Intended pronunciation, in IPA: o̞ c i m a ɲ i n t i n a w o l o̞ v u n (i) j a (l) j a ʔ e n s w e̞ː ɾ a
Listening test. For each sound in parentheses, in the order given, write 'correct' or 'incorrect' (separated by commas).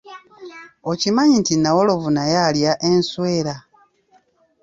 incorrect, correct